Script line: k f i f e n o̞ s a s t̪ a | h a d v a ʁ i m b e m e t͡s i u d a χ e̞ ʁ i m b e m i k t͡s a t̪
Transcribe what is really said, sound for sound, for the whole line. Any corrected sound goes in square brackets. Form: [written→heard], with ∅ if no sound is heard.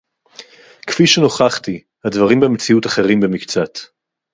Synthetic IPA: k f i [f→ʃ] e n o̞ [s→χ] a [s→χ] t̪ [a→i] | h a d v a ʁ i m b e m e t͡s i u [d→t] a χ e̞ ʁ i m b e m i k t͡s a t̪

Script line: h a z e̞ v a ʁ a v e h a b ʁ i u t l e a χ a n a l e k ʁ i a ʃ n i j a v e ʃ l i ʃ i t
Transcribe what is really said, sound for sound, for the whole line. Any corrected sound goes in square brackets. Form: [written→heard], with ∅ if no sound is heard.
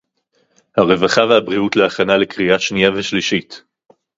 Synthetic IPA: h a [z→ʁ] e̞ v a [ʁ→χ] a v e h a b ʁ i u t l e a χ a n a l e k ʁ i a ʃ n i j a v e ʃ l i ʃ i t

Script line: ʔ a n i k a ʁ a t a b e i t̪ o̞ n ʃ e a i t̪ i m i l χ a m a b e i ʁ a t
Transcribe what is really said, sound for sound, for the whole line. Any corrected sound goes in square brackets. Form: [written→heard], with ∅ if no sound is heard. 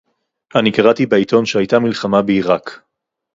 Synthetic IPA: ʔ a n i k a ʁ a t [a→i] b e i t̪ o̞ n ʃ e a [i→j] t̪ [i→a] m i l χ a m a b e i ʁ a [t→k]

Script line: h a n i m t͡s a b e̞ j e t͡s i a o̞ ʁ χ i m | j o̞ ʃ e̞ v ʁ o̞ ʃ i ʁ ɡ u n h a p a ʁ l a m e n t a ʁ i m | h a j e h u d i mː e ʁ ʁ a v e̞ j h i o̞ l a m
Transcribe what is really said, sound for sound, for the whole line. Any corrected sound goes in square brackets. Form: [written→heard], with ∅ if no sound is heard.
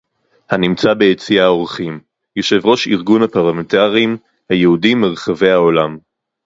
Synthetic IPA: h a n i m t͡s a b e̞ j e t͡s i a o̞ ʁ χ i m | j o̞ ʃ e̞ v ʁ o̞ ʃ i ʁ ɡ u n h a p a ʁ l a m e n t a ʁ i m | h a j e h u d i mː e ʁ [ʁ→χ] a v e̞ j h [i→a] o̞ l a m

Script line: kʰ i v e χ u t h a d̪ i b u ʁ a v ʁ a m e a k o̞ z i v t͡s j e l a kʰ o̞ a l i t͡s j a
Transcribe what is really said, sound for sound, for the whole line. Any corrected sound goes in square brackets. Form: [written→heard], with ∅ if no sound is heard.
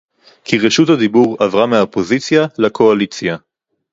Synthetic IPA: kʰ i [v→ʁ] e [χ→ʃ] u t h a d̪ i b u ʁ a v ʁ a m e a [k→p] o̞ z i [v→∅] t͡s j [e→a] l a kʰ o̞ a l i t͡s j a

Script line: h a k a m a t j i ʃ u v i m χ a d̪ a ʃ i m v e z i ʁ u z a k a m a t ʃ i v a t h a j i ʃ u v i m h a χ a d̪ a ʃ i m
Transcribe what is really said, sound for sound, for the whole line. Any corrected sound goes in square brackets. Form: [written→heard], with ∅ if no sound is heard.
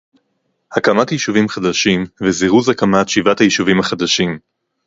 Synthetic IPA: h a k a m a t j i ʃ u v i m χ a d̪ a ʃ i m v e z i ʁ u z a k a m a t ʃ i v a t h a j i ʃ u v i m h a χ a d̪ a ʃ i m

